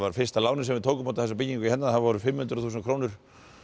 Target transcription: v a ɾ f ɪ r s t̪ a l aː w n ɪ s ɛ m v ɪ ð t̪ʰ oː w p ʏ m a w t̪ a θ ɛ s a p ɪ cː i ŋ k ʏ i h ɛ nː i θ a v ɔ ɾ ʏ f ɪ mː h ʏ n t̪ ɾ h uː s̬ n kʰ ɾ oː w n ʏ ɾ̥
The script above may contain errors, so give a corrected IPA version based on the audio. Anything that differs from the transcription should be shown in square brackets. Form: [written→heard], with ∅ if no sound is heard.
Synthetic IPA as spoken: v a ɾ f ɪ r s t̪ a l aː w n ɪ s ɛ m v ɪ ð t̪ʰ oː w [p→k] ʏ m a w t̪ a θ ɛ s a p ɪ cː i ŋ k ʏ i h ɛ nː [i→a] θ a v ɔ ɾ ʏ f ɪ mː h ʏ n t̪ ɾ [h→θ] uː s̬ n kʰ ɾ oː w n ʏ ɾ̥

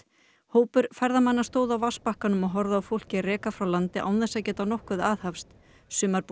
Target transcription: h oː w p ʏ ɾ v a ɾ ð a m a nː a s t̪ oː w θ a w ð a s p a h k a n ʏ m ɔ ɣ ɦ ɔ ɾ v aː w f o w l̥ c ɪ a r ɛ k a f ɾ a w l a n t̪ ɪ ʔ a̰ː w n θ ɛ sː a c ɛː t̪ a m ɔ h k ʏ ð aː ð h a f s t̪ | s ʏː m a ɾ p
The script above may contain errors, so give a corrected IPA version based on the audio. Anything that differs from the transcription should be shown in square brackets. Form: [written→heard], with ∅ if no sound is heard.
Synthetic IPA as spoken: h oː w p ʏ ɾ [v→f] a ɾ ð a m a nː a s t̪ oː w [θ→ð] a w [ð→v] a s p a h k a n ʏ m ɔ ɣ ɦ ɔ ɾ [v→ð] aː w f o w l̥ c ɪ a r [ɛ→ɛː] k a f ɾ a w l a n t̪ ɪ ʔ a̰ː w n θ ɛ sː a c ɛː t̪ a [m→n] ɔ h k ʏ ð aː ð h a f s t̪ | s ʏː m a ɾ p

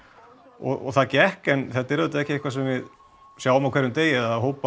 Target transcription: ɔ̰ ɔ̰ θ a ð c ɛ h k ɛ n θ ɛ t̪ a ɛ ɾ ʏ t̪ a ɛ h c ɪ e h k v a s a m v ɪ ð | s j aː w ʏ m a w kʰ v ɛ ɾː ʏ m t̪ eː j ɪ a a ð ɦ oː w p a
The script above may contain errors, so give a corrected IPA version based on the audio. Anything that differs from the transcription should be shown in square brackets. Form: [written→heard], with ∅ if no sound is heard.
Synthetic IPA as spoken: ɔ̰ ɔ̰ θ a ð c ɛ h k ɛ n θ ɛ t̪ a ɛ ɾ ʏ t̪ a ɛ h c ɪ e h k v a s [a→ɛ] m v ɪ ð | s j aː w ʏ m a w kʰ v ɛ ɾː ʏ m t̪ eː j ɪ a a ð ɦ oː w p a

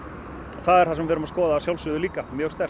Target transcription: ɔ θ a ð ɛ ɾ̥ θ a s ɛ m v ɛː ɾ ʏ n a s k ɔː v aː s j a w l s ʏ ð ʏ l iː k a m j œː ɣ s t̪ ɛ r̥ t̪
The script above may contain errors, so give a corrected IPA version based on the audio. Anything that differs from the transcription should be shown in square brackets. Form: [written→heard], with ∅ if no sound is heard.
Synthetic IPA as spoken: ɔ θ a ð ɛ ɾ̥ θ a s ɛ m v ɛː ɾ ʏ [n→m] a s k ɔː [v→ð] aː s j a w l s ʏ ð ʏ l iː k a m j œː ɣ s t̪ ɛ r̥ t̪

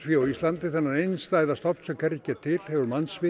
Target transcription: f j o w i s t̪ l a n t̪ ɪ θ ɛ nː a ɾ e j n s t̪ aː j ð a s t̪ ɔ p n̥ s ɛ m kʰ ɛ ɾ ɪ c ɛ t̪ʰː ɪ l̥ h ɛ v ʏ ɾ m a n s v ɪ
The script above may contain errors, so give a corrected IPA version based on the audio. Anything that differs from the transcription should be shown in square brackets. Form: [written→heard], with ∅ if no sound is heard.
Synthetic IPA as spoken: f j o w i s t̪ l a n t̪ ɪ θ ɛ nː a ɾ e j n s t̪ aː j ð a s t̪ ɔ p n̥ s ɛ m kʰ ɛ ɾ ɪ c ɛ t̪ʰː ɪ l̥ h ɛ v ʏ ɾ m a n s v ɪ

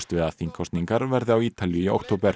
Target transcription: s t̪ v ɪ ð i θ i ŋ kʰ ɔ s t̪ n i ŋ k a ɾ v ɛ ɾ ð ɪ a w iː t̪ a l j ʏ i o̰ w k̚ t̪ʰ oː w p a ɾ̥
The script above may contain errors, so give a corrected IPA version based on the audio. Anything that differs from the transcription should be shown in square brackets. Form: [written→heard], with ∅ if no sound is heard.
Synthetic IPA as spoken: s t̪ v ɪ ð [i→a] θ i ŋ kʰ ɔ s t̪ n i ŋ k a ɾ v ɛ ɾ ð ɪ a w iː t̪ a l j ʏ i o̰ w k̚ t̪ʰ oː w p [a→ɛ] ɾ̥

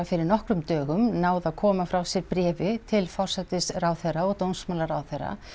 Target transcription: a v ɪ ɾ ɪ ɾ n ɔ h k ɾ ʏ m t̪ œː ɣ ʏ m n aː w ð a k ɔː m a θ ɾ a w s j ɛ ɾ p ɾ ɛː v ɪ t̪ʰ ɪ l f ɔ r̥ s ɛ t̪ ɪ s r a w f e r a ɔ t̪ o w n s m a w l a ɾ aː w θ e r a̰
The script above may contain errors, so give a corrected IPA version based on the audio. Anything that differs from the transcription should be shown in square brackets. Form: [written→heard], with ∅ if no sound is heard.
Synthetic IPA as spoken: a [v→f] ɪ ɾ ɪ ɾ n ɔ h k ɾ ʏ m t̪ œː ɣ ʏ m n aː w ð a [k→kʰ] ɔː m a [θ→f] ɾ a w s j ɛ ɾ p ɾ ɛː v ɪ t̪ʰ ɪ l f ɔ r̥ s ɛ t̪ ɪ s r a w [f→θ] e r a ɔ t̪ o w n s m a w l a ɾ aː w θ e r a̰

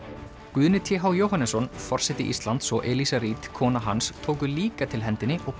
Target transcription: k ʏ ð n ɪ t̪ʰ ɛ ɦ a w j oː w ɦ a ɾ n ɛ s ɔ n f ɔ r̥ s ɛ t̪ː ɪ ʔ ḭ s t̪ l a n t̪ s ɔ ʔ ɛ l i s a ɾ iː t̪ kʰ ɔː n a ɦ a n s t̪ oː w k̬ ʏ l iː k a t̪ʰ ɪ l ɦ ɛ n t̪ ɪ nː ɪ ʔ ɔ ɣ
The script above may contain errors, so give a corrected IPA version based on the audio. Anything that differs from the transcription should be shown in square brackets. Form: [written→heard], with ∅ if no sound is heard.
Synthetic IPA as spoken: k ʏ ð n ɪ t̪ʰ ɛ ɦ a w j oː w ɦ a [ɾ→∅] n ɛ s ɔ n f ɔ r̥ s ɛ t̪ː ɪ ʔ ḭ s t̪ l a n t̪ s ɔ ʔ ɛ l i s a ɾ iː t̪ kʰ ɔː n a ɦ a n s [t̪→t̪ʰ] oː w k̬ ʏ l iː k a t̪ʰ ɪ l ɦ ɛ n t̪ ɪ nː ɪ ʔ ɔ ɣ

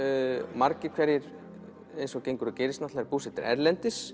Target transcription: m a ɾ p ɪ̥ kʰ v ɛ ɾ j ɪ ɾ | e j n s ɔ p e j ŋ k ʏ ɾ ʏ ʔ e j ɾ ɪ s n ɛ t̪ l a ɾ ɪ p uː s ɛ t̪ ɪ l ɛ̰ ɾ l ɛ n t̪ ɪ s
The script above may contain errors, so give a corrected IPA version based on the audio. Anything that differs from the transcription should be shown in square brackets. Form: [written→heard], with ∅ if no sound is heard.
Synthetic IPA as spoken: m a ɾ [p→c] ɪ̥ kʰ v ɛ ɾ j ɪ ɾ | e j n s ɔ [p→c] e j ŋ k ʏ ɾ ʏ [ʔ→c] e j ɾ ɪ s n [ɛ→a] t̪ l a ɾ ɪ p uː s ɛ t̪ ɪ [l→ɾ] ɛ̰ ɾ l ɛ n t̪ ɪ s

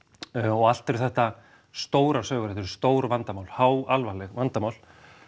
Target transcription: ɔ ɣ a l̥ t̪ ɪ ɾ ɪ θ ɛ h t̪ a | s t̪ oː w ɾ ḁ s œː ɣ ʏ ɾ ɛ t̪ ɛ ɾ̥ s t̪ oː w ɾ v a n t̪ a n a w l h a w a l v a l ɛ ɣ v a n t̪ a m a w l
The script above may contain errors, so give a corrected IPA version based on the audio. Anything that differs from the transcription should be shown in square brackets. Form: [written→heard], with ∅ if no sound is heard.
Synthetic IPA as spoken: ɔ ɣ a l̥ t̪ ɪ ɾ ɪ θ ɛ h t̪ a | s t̪ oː w ɾ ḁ s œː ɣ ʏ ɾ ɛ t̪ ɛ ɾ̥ s t̪ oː w ɾ v a n t̪ a [n→m] a w l h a w a l v a l ɛ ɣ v a n t̪ a m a w l

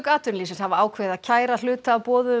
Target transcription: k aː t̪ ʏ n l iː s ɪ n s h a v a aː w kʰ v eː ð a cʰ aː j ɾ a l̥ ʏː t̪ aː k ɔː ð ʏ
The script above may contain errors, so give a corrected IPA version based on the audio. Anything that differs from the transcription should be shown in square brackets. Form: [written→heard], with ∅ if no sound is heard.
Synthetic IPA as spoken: k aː t̪ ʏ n l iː s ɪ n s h a v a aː w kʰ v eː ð a cʰ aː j ɾ a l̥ ʏː t̪ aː [k→p] ɔː ð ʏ

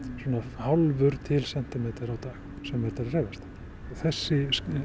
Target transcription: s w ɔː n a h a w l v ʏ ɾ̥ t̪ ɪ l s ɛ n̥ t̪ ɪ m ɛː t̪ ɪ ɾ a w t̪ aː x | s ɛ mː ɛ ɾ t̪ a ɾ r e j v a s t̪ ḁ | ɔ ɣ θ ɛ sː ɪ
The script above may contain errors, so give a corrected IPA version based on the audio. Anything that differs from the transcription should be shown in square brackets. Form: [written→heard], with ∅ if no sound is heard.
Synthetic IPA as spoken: s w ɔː n a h a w l v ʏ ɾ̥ [t̪→t̪ʰ] ɪ l s ɛ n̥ t̪ ɪ m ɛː t̪ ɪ ɾ a w t̪ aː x | s ɛ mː ɛ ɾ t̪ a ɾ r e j v a s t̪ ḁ | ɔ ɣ θ ɛ sː ɪ

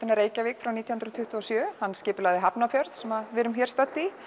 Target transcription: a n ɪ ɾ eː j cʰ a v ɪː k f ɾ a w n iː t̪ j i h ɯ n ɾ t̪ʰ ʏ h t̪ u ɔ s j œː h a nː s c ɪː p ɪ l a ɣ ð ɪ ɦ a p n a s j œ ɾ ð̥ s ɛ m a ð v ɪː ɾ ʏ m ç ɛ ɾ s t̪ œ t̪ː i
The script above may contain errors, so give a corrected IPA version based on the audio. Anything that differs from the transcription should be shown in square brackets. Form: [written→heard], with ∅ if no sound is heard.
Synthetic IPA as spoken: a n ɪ ɾ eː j [cʰ→c] a v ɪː k f ɾ a w n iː t̪ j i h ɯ n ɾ t̪ʰ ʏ h t̪ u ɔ s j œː h a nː s c ɪː p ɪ l a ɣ ð ɪ ɦ a p n a [s→f] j œ ɾ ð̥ s ɛ m a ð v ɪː ɾ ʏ m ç ɛ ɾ s t̪ œ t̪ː i

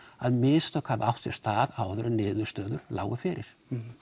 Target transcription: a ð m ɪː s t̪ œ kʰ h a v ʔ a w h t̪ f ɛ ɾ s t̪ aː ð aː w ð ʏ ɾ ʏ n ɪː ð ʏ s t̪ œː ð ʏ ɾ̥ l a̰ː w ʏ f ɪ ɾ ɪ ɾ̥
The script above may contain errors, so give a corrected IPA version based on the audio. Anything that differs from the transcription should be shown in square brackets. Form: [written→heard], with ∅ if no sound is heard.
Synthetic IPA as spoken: a ð m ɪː s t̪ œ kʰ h a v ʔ a w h t̪ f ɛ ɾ s t̪ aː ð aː w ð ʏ ɾ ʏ n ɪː ð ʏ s t̪ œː ð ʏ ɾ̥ l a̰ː w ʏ f ɪ ɾ ɪ ɾ̥

